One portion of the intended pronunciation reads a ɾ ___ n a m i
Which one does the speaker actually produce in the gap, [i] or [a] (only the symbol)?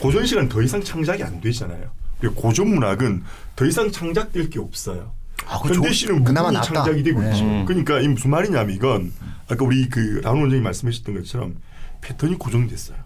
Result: i